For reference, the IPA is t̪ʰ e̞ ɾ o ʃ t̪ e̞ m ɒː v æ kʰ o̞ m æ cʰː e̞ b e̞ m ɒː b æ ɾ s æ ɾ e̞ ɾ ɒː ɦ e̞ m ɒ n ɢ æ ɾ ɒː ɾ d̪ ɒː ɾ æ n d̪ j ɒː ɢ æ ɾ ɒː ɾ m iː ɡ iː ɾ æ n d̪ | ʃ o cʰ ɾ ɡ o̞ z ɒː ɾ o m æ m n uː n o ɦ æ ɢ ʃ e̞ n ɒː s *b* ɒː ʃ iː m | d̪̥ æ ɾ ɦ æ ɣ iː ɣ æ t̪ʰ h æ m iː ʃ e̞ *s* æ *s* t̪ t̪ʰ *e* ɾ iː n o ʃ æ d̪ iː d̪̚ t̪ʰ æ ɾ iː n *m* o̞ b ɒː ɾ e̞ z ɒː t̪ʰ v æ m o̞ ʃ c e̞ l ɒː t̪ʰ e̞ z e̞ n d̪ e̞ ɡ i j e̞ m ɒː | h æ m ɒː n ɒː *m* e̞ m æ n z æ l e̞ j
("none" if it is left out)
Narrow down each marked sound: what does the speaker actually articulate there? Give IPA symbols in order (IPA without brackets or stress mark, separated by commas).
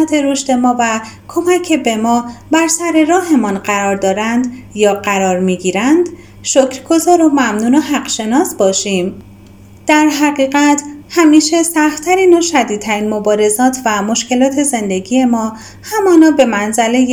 b, s, x, æ, m, b